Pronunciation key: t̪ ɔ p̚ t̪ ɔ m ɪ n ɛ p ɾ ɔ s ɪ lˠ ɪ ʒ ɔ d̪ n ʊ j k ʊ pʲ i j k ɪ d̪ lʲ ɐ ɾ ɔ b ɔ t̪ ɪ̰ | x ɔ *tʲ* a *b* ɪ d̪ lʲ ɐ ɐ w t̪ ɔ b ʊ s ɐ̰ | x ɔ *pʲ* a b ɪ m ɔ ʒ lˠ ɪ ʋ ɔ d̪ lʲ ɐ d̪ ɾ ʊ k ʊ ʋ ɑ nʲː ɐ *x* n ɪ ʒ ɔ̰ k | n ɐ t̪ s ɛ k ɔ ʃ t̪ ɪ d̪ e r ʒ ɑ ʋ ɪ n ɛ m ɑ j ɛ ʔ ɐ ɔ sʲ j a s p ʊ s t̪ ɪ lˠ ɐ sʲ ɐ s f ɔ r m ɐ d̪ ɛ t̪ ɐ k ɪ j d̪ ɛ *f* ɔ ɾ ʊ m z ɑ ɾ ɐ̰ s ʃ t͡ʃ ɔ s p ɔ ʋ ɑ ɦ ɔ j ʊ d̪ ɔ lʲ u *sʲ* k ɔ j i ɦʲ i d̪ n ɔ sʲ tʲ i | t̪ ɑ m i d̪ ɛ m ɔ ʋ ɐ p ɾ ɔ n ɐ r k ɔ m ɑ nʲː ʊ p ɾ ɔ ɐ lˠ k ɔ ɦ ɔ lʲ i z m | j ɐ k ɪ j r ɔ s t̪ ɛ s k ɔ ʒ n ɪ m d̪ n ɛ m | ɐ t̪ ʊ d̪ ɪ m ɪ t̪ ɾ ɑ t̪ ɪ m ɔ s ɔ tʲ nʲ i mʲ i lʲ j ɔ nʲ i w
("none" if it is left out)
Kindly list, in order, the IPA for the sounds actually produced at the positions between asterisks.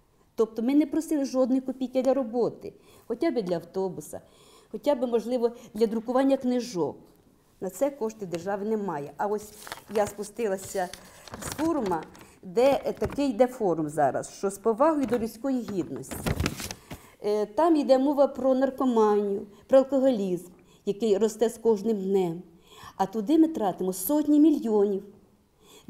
tʲ, b, tʲ, k, f, sʲ

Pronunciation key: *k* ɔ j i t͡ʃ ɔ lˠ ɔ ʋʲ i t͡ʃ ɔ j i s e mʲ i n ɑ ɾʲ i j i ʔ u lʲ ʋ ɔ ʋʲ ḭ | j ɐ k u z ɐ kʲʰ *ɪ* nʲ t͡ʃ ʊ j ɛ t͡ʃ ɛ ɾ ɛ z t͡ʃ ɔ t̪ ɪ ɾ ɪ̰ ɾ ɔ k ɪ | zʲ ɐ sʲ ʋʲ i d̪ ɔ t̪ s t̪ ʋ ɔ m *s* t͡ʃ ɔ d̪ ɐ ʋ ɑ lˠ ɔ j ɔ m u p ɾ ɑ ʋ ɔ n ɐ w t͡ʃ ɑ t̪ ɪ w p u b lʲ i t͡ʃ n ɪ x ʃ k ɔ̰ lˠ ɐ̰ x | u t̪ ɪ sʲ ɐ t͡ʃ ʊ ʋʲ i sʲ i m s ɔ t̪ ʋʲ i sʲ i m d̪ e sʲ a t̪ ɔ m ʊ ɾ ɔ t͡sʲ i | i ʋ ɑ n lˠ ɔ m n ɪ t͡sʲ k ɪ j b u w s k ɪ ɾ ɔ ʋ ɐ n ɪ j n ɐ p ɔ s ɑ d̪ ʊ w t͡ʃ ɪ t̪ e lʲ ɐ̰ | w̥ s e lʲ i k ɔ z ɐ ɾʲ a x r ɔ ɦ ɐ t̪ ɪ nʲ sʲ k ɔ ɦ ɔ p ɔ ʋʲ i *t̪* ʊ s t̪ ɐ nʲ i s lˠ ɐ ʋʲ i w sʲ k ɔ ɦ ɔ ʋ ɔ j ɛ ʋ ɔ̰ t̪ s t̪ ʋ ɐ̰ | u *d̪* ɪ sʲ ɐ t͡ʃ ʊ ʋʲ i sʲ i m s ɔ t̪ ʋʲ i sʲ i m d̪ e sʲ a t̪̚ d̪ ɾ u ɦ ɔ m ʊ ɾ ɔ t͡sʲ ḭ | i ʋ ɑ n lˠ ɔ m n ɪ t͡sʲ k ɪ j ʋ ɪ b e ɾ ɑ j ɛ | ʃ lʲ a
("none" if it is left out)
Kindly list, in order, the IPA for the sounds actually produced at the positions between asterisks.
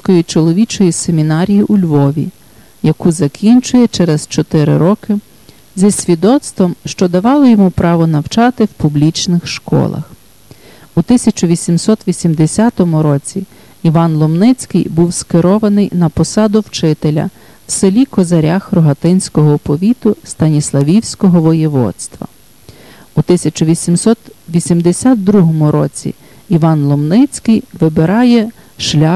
k, i, ʃ, t̪, t̪

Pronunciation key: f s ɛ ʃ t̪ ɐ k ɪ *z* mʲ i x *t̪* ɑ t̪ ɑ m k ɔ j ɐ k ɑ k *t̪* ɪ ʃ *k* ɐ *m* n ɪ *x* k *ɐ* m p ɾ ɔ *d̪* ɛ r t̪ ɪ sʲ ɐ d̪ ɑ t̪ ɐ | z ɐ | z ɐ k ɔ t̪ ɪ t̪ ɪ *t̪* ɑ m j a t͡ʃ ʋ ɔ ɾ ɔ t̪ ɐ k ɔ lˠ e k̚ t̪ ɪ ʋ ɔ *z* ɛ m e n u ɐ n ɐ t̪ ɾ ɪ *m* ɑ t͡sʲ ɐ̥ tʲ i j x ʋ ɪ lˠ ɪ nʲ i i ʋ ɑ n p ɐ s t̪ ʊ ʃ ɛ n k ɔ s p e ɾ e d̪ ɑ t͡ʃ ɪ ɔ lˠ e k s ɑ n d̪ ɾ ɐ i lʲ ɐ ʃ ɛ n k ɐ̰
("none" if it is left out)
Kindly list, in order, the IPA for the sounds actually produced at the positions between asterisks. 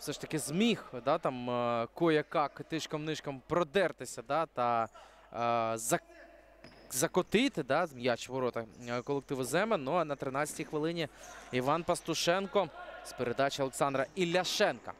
z, d̪, t̪, k, m, ʃ, ɐ, d̪, d̪, z, n

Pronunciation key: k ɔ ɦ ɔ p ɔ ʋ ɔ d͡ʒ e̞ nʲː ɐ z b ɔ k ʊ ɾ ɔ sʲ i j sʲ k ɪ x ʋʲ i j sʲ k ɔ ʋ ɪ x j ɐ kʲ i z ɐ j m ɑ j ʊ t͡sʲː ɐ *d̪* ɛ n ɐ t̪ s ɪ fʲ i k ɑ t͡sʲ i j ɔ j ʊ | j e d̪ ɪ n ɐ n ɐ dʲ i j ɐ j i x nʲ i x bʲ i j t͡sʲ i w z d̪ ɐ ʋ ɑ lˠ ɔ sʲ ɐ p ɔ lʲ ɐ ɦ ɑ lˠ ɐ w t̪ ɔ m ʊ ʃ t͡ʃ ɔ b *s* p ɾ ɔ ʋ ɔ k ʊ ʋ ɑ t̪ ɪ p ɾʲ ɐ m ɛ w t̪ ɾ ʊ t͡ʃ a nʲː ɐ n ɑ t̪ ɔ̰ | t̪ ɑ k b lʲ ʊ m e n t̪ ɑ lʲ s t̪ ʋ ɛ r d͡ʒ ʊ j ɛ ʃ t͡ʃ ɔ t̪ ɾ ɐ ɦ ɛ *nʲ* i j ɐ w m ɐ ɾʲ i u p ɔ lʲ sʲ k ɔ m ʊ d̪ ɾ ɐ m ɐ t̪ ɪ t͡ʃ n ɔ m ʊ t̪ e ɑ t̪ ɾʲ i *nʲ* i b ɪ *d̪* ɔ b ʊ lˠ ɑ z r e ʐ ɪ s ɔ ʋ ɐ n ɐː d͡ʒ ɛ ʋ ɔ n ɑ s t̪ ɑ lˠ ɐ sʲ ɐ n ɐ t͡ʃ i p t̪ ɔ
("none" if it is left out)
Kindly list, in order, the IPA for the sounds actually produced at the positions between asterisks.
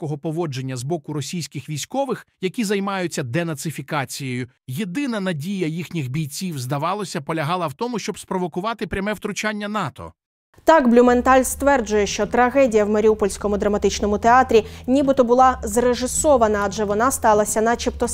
d̪, s, dʲ, nʲ, t̪

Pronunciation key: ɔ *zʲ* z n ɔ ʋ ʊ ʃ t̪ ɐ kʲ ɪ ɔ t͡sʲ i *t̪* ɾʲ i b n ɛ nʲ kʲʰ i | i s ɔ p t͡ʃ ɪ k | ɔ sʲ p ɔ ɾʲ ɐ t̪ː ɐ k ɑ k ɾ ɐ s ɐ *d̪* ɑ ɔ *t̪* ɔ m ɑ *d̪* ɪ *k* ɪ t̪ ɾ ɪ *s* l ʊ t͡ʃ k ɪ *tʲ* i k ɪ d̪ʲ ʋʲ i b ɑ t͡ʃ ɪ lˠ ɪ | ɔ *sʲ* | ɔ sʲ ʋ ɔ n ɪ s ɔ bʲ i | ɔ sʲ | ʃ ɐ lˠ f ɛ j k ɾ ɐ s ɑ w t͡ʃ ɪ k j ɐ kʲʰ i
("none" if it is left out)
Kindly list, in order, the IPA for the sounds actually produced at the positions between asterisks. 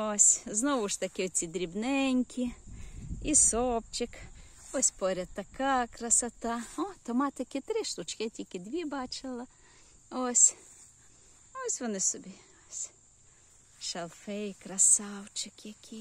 sʲ, d̪, t̪, t̪, t̪, k, ʃ, tʲ, sʲ

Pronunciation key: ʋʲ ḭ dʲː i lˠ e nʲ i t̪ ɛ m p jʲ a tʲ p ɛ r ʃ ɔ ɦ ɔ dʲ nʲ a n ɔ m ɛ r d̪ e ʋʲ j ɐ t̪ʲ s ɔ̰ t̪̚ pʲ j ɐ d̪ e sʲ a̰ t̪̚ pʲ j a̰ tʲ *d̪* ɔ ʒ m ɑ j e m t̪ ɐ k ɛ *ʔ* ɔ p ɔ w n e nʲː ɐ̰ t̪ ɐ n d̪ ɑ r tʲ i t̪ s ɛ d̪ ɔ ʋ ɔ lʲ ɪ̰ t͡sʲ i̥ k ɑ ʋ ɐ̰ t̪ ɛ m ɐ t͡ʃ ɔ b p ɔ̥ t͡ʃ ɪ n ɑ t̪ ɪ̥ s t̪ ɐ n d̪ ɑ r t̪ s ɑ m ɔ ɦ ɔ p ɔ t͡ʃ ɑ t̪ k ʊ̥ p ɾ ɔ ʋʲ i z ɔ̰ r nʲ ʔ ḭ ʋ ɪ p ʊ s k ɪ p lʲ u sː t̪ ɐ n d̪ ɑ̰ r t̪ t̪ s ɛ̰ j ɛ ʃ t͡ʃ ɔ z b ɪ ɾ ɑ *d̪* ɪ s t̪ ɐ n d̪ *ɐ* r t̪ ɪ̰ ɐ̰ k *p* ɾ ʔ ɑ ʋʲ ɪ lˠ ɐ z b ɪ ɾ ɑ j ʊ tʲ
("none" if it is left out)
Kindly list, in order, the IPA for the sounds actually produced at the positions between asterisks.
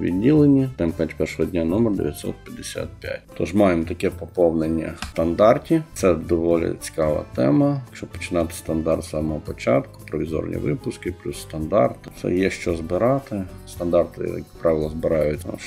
t̪, p, t̪, ɑ, p

